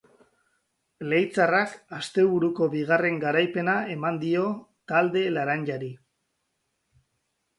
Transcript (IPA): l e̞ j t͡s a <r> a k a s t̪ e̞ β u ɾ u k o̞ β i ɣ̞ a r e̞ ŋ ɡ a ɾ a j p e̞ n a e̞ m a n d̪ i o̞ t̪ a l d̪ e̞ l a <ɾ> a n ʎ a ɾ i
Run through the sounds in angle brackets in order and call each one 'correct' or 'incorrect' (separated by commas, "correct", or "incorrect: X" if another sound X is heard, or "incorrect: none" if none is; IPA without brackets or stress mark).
correct, correct